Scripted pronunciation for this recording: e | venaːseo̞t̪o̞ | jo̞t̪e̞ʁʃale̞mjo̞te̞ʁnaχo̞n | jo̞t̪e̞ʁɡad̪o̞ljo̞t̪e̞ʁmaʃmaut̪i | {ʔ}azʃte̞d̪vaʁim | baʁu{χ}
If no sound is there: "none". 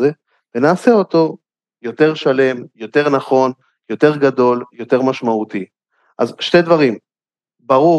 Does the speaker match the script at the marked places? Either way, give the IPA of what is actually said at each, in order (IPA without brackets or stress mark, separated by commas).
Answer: ʔ, none